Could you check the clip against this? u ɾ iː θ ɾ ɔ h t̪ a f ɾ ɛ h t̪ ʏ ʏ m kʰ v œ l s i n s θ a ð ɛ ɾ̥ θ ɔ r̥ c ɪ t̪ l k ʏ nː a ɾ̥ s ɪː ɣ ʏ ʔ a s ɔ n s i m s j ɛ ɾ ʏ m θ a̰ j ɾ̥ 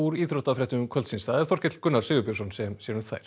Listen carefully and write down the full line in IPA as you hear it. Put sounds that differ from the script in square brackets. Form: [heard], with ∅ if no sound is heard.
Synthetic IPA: u ɾ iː θ ɾ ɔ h t̪ a f ɾ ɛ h t̪ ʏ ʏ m kʰ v œ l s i n s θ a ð ɛ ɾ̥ θ ɔ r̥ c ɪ t̪ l k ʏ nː a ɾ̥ s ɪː ɣ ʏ [p] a s ɔ n s [ɛ] m s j ɛ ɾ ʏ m θ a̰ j ɾ̥